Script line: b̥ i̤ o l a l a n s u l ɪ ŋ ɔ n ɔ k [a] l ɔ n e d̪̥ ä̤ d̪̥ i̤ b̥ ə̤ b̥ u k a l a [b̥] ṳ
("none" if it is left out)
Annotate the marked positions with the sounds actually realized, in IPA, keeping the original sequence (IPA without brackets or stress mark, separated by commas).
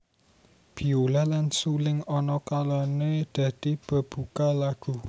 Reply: a, ɡ̥